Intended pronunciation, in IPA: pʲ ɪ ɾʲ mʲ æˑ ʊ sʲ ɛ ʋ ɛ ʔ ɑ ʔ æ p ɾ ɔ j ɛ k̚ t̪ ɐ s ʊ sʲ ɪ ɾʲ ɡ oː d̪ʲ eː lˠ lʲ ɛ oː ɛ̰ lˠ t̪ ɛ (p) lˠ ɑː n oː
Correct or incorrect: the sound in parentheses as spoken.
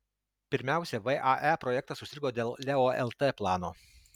correct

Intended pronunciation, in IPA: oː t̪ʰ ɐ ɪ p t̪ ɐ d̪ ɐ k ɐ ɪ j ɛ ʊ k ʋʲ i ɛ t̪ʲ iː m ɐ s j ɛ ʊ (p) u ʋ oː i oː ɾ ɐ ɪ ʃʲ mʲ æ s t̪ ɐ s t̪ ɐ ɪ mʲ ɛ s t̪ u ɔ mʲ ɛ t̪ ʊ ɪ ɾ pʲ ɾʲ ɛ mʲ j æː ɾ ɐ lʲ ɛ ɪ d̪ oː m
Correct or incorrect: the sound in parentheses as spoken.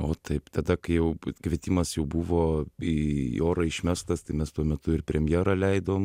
incorrect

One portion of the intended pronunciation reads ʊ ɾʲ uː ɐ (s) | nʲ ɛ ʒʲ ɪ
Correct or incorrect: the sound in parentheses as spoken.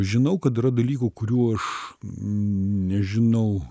incorrect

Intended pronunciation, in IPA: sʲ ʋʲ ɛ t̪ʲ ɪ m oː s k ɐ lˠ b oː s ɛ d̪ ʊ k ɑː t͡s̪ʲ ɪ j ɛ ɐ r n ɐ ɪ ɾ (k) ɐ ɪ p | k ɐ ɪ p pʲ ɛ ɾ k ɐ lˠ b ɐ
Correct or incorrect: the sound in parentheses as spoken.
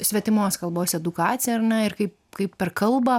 correct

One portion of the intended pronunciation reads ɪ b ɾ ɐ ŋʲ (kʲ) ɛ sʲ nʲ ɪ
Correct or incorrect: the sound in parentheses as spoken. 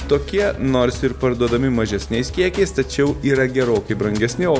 incorrect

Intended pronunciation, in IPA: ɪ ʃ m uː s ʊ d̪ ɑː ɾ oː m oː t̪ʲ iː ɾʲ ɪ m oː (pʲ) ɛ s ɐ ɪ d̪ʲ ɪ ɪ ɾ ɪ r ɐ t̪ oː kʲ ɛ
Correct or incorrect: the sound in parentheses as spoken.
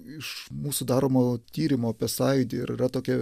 correct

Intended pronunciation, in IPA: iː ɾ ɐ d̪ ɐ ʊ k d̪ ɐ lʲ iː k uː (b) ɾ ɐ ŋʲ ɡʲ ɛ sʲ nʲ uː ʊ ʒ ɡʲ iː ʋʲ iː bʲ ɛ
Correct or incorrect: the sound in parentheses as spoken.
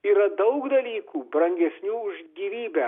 correct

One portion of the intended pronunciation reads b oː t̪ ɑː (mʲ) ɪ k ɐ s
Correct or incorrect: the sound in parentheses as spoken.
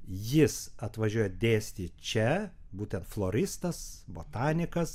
incorrect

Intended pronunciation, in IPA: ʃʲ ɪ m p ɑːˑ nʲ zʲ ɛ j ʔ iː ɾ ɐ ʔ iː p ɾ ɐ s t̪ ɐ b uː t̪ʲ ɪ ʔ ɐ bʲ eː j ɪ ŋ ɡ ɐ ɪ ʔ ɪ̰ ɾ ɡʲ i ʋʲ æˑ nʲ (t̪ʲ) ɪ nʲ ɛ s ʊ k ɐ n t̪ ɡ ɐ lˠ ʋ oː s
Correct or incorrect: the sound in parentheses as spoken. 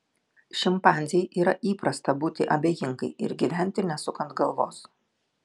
correct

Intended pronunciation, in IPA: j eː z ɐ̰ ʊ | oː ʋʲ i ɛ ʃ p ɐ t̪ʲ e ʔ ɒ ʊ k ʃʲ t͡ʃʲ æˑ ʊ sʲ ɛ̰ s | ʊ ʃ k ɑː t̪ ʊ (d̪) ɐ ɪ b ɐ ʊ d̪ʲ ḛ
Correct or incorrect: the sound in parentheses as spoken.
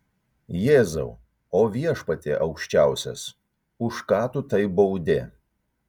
incorrect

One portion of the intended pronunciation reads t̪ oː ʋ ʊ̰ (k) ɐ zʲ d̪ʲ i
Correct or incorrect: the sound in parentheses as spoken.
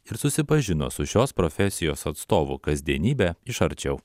correct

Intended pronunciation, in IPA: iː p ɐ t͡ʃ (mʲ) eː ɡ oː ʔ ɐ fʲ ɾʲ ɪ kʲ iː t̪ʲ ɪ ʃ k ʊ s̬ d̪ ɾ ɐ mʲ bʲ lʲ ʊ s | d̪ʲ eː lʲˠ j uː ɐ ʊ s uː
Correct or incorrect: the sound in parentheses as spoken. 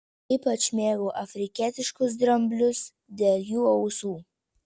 correct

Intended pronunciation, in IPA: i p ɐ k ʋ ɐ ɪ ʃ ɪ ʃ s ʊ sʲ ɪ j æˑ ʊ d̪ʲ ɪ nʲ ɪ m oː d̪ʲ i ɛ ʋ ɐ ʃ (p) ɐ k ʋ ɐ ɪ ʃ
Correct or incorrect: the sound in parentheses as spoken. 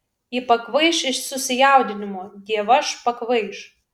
correct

